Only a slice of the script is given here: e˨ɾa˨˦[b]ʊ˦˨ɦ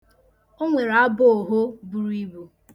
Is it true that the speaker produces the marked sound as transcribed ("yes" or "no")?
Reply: yes